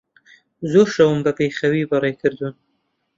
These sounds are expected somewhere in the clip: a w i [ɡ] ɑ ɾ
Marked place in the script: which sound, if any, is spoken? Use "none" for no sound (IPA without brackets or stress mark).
b